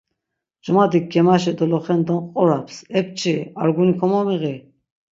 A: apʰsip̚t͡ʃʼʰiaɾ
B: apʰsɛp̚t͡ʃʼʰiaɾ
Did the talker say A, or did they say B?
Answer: B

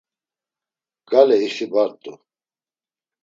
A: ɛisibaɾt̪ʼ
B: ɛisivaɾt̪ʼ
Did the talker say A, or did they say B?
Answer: A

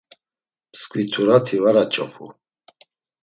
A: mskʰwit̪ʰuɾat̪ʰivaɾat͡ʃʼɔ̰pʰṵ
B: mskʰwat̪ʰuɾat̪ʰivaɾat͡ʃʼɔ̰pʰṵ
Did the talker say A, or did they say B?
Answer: A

